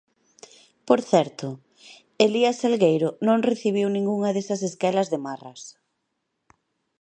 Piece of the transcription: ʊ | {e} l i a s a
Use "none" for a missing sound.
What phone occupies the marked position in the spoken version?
e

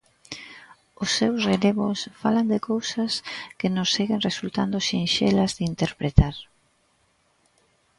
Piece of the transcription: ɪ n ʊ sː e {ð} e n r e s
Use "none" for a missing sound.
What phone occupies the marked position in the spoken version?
ɣ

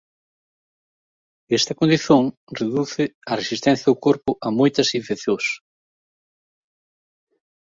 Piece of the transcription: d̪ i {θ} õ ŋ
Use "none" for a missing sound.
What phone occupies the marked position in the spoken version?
θ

